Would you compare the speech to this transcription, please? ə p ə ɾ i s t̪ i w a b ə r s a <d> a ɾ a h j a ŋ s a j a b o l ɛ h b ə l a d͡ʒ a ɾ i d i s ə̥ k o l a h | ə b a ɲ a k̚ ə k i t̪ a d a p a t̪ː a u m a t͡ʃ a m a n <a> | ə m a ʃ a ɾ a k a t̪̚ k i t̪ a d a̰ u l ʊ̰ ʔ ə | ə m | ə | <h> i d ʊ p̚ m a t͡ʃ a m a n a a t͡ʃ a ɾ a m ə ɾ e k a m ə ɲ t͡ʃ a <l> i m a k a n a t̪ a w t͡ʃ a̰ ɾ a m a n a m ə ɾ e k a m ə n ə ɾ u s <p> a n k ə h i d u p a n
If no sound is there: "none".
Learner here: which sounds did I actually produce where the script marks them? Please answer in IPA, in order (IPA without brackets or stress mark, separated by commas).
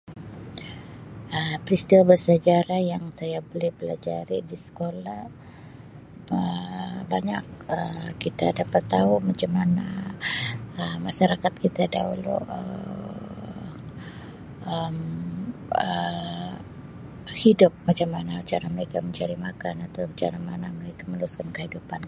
d͡ʒ, a, h, ɾ, k